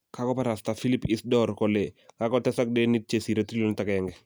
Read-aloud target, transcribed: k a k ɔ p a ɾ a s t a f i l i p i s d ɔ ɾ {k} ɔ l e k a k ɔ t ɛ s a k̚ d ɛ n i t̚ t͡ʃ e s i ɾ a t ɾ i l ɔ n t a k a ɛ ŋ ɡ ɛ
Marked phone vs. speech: correct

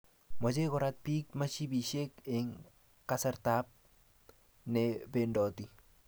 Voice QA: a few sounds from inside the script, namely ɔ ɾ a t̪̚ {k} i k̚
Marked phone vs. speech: incorrect: p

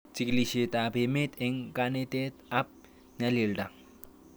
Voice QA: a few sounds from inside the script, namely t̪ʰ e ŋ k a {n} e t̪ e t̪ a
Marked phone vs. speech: correct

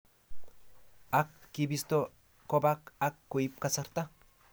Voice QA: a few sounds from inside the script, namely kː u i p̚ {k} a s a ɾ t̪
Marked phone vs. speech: correct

